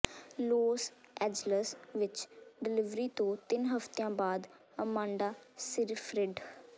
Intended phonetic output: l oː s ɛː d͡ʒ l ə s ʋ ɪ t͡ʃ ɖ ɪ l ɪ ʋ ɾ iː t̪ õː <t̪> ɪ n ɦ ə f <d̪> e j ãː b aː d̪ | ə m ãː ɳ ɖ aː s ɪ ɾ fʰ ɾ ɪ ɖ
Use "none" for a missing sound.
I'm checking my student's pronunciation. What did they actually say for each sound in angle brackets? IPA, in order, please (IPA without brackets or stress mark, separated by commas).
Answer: t̪, t̪